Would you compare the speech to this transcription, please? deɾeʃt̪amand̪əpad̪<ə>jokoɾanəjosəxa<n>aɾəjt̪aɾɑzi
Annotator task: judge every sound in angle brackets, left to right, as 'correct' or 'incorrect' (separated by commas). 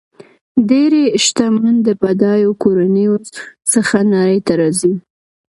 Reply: incorrect, correct